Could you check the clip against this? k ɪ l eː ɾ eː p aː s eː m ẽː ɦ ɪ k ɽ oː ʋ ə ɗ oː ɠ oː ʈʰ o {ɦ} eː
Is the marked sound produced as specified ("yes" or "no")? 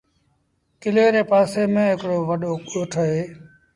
yes